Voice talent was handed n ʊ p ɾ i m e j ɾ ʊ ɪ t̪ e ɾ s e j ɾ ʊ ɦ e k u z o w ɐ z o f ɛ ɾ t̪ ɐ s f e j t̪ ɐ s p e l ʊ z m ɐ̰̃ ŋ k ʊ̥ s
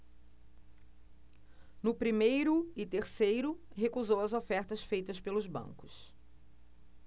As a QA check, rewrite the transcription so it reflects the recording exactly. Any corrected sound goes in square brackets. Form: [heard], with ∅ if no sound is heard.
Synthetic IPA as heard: n ʊ p ɾ i m e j ɾ ʊ ɪ t̪ e ɾ s e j ɾ ʊ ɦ e k u z o w ɐ z o f ɛ ɾ t̪ ɐ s f e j t̪ ɐ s p e l ʊ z [b] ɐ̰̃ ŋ k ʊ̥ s

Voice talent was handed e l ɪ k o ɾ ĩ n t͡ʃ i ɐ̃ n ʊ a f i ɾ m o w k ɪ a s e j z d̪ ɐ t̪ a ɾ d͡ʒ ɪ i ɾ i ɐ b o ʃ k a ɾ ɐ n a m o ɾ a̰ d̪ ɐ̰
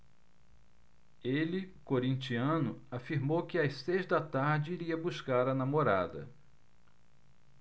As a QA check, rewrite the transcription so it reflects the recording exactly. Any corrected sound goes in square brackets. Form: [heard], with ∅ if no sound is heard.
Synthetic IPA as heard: e l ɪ k o ɾ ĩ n t͡ʃ i ɐ̃ n ʊ a f i ɾ m o w k ɪ a s e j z d̪ ɐ t̪ a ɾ d͡ʒ ɪ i ɾ i ɐ b [u] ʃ k a ɾ ɐ n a m o ɾ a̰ d̪ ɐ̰

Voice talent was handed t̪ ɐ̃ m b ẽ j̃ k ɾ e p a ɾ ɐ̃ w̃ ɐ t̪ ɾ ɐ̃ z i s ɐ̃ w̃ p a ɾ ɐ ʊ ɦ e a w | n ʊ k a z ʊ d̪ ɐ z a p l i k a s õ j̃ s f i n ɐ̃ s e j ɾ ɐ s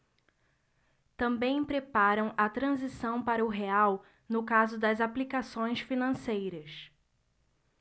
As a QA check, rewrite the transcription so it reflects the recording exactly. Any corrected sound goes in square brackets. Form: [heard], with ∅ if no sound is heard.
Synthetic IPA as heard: t̪ ɐ̃ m b ẽ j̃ [p] ɾ e p a ɾ ɐ̃ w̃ ɐ t̪ ɾ ɐ̃ z i s ɐ̃ w̃ p a ɾ ɐ ʊ ɦ e a w | n ʊ k a z ʊ d̪ ɐ z a p l i k a s õ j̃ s f i n ɐ̃ s e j ɾ ɐ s

